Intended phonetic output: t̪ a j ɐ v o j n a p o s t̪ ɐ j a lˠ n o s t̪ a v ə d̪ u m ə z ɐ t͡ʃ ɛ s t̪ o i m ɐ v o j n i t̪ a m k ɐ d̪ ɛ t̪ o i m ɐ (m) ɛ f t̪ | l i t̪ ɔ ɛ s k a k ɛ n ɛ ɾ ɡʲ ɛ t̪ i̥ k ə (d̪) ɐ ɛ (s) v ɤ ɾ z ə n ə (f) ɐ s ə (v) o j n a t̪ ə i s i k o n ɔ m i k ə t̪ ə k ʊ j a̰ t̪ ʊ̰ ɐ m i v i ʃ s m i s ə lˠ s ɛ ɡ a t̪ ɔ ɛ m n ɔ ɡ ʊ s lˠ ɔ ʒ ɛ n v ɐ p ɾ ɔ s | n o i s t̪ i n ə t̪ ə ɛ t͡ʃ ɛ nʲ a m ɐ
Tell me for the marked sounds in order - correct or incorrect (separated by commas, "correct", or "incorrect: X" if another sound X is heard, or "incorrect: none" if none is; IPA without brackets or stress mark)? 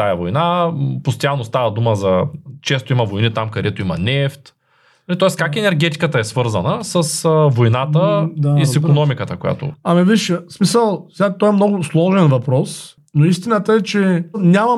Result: incorrect: n, incorrect: t̪, correct, incorrect: s, correct